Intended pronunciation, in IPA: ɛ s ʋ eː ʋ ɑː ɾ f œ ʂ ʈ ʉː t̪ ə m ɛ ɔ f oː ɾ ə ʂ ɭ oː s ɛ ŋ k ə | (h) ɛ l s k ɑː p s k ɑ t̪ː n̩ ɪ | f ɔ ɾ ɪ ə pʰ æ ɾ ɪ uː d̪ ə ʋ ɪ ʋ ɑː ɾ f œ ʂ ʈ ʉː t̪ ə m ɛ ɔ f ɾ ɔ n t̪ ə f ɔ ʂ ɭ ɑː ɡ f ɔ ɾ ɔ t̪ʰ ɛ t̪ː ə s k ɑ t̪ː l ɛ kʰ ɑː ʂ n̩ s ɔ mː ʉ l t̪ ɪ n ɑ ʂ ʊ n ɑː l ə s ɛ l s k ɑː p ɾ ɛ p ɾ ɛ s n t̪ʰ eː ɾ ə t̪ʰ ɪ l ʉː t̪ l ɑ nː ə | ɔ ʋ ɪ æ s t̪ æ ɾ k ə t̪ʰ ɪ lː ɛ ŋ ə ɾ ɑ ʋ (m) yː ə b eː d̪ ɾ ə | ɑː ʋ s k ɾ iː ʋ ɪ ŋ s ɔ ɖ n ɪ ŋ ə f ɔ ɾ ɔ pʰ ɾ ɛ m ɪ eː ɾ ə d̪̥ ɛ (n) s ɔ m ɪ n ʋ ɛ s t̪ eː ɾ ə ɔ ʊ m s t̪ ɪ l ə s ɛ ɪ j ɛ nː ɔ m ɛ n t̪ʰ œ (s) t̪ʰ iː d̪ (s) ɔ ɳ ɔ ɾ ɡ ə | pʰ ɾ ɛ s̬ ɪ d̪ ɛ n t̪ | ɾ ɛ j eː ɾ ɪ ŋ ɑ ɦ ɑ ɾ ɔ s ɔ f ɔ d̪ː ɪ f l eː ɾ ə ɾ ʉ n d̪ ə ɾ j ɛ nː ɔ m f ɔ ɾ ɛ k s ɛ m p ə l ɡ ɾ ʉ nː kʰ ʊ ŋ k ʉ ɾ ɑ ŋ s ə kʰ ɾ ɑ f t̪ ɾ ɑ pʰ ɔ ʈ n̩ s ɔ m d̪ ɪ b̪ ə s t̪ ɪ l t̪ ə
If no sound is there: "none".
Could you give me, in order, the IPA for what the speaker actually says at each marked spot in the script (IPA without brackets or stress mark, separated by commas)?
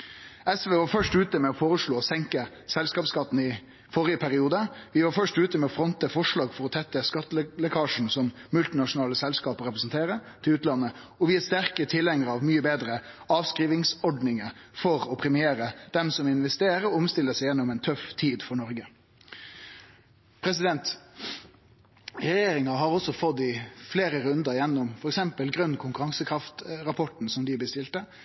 s, m, m, f, f